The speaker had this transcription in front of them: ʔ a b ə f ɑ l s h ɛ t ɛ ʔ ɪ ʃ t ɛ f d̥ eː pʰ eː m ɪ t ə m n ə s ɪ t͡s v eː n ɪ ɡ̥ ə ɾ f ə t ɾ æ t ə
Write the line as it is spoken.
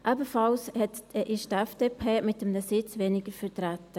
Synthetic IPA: ʔ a b ə f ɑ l s h ɛ t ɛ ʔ ɪ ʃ t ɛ f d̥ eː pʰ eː m ɪ t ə m n ə s ɪ t͡s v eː n ɪ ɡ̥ ə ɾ f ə t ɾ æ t ə